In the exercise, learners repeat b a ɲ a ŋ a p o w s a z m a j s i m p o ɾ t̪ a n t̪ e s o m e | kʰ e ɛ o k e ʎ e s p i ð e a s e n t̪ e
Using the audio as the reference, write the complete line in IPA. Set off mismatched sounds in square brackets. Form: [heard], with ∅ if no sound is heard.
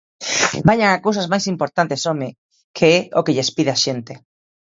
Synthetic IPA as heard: b a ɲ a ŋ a [k] o w s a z m a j s i m p o ɾ t̪ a n t̪ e s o m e | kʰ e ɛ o k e ʎ e s p i ð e a [ʃ] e n t̪ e